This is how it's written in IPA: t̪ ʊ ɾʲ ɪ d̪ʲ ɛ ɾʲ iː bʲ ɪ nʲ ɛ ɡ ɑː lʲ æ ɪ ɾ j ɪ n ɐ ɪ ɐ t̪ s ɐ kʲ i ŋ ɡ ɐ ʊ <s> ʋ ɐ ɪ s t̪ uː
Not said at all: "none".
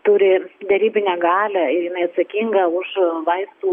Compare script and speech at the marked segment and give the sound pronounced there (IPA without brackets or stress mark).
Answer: ʃ